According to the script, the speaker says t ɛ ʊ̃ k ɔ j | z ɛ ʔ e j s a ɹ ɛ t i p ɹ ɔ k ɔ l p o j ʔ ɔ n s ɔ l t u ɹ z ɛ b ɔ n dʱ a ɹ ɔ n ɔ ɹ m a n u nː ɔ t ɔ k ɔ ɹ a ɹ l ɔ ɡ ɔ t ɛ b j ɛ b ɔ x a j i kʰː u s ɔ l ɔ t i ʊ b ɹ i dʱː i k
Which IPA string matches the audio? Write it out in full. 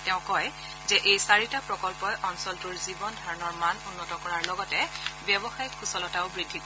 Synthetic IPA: t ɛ ʊ̃ k ɔ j | z ɛ ʔ e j s a ɹ i t a p ɹ ɔ k ɔ l p ɔ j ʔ ɔ n s ɔ l t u ɹ z i b ɔ n dʱ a ɹ ɔ n ɔ ɹ m a n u nː ɔ t ɔ k ɔ ɹ a ɹ l ɔ ɡ ɔ t ɛ b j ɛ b ɔ x a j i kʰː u s ɔ l ɔ t a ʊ b ɹ i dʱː i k